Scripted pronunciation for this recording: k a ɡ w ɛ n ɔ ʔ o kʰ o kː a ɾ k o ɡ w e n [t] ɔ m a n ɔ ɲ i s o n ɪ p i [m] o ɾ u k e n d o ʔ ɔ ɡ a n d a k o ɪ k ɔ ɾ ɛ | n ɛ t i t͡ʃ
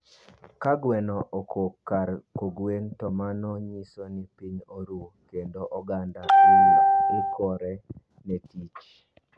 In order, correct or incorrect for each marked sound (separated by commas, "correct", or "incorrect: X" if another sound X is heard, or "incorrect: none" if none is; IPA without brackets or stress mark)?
correct, incorrect: ɲ